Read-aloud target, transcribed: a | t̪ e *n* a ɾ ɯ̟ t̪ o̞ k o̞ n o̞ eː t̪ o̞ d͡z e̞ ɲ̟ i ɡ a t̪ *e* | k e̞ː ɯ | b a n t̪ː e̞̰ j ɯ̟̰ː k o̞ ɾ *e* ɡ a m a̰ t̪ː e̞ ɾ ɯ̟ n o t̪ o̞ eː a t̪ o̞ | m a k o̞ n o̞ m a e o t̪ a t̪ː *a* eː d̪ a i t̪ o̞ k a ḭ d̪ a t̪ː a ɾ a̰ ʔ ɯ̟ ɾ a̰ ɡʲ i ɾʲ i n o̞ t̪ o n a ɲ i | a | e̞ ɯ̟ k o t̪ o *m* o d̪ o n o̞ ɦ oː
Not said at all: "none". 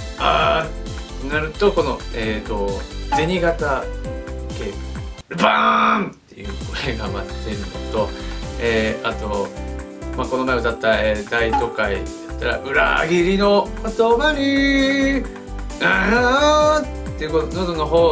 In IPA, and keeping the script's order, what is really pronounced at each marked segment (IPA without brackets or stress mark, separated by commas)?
n, a, e, a, n